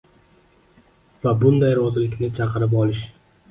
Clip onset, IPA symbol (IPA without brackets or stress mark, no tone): v